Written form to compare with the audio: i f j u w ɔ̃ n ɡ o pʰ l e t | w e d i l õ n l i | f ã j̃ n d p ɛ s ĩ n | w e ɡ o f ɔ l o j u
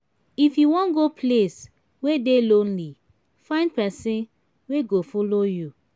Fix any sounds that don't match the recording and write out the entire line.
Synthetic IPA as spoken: i f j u w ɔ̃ n ɡ o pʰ l e s | w e d e l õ n l i | f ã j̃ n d p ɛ s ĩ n | w e ɡ o f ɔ l o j u